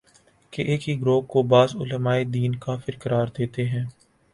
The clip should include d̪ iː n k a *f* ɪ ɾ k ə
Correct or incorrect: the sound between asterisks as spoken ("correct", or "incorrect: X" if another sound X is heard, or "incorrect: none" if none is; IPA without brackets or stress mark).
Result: correct